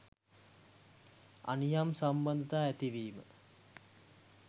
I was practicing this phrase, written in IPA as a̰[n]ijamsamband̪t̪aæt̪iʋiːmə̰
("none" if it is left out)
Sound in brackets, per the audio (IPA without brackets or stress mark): n